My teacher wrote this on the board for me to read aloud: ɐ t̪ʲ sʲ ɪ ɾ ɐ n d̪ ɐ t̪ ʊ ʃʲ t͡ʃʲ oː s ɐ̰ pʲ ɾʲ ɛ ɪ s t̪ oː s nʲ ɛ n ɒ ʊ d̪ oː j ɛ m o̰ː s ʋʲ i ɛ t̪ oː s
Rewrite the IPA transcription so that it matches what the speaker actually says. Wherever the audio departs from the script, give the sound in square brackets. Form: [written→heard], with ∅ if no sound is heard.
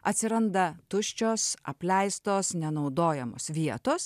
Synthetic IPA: ɐ t̪ʲ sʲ ɪ ɾ ɐ n d̪ ɐ t̪ ʊ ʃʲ t͡ʃʲ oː s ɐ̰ pʲ [ɾʲ→lʲ] ɛ ɪ s t̪ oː s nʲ ɛ n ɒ ʊ d̪ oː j ɛ m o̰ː s ʋʲ i ɛ t̪ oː s